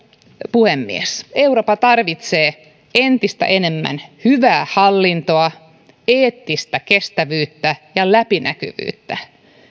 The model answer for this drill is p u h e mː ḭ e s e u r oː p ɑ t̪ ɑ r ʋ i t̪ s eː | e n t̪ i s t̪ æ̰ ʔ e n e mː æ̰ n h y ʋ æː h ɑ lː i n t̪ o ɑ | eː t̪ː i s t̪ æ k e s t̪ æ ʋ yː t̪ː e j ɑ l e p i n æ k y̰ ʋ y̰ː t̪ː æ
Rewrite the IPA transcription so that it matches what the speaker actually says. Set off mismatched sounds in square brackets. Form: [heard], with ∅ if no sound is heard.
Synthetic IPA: p u h e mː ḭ e s e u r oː p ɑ t̪ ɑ r ʋ i t̪ s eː | e n t̪ i s t̪ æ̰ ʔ e n e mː æ̰ n h y ʋ æː h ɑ lː i n t̪ o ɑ | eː t̪ː i s t̪ æ k e s t̪ æ ʋ yː t̪ː [æ] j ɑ l [æ] p i n æ k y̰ ʋ y̰ː t̪ː æ